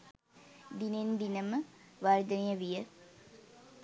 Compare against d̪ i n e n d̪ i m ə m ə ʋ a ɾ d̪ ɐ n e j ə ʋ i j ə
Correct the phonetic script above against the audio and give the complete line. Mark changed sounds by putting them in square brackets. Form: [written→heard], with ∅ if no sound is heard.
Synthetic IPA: d̪ i n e n d̪ i [m→n] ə m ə ʋ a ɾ d̪ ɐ n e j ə ʋ i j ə